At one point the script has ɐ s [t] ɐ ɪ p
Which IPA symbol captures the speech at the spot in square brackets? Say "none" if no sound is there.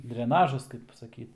k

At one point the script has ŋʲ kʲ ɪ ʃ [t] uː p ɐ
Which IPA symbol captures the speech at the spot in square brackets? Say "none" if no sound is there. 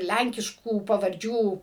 k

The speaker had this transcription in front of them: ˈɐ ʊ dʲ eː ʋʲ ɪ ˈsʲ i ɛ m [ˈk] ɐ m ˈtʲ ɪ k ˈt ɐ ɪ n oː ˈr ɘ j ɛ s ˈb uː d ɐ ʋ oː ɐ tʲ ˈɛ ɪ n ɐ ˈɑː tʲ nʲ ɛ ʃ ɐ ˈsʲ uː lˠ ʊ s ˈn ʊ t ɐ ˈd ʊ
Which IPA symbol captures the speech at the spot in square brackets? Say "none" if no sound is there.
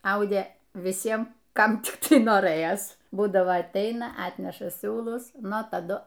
k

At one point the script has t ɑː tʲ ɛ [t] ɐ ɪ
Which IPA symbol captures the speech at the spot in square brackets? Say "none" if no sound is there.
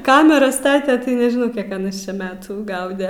t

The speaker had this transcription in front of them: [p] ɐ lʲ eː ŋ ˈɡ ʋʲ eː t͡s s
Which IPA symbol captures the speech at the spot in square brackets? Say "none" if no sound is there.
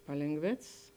p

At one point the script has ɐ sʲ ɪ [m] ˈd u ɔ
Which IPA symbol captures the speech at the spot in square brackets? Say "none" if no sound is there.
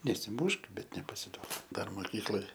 none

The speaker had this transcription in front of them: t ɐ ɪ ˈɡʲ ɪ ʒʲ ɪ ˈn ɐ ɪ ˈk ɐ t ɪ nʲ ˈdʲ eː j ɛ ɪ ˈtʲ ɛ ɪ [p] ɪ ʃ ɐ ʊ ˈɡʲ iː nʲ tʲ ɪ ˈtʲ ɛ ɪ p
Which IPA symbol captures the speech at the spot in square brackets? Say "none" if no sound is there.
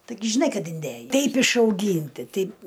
p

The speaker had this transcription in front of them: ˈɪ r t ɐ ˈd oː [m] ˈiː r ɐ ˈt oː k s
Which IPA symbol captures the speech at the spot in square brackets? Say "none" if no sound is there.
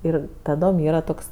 m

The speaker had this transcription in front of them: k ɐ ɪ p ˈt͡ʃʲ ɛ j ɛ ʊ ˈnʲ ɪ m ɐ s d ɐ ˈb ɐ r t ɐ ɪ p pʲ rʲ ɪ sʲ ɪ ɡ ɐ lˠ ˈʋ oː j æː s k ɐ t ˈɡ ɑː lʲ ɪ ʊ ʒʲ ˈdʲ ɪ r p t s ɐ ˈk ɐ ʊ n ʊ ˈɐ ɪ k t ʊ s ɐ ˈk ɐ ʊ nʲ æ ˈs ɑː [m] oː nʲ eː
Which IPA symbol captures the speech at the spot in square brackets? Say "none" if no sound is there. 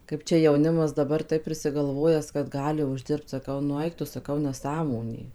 m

